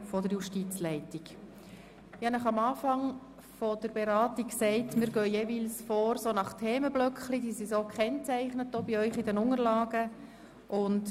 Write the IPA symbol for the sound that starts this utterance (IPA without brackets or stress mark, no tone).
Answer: f